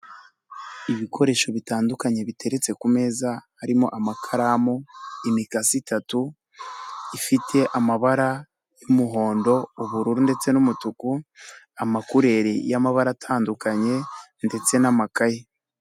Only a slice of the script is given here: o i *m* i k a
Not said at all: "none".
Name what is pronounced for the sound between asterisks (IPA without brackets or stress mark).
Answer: m